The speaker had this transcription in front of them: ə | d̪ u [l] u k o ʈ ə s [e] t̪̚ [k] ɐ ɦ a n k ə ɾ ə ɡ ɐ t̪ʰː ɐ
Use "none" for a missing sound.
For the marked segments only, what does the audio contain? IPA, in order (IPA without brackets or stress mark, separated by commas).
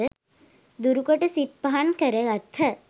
ɾ, i, p